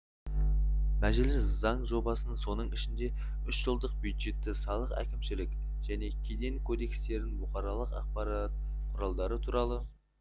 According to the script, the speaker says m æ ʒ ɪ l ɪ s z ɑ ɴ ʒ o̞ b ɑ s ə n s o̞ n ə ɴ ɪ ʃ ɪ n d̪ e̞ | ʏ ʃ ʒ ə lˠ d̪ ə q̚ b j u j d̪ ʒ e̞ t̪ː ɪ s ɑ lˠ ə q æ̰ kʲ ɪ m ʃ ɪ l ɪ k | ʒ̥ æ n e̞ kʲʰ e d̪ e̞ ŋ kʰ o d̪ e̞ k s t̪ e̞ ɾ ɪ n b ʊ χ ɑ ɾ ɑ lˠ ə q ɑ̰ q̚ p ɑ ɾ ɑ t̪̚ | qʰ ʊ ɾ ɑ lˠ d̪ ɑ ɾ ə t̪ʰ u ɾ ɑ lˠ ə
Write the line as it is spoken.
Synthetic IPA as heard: m æ ʒ ɪ l ɪ s z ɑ ɴ ʒ o̞ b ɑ s ə n s o̞ n ə ɴ ɪ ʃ ɪ n d̪ e̞ | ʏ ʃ ʒ ə lˠ d̪ ə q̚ b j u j d̪ ʒ e̞ t̪ː ɪ s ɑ lˠ ə q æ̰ kʲ ɪ m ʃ ɪ l ɪ k | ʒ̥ æ n e̞ kʲʰ e d̪ e̞ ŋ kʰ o d̪ e̞ k s t̪ e̞ ɾ ɪ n b ʊ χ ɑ ɾ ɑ lˠ ə q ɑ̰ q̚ p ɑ ɾ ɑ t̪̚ | qʰ ʊ ɾ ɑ lˠ d̪ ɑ ɾ ə t̪ʰ u ɾ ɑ lˠ ə